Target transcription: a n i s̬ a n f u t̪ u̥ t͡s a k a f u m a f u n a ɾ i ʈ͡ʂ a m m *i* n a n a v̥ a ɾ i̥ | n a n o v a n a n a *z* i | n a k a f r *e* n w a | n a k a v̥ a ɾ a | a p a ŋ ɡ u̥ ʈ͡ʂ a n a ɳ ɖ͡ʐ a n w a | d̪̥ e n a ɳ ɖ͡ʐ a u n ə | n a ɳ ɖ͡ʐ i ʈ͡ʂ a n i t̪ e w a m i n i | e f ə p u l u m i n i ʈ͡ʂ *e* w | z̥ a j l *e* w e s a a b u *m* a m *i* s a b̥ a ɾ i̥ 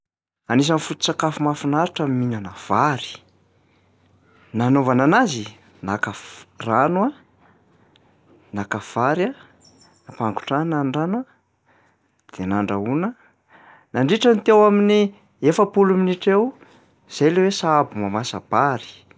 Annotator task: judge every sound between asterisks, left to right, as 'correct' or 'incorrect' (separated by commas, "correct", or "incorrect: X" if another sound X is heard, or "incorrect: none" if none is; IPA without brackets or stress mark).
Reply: correct, correct, incorrect: a, correct, correct, correct, incorrect: a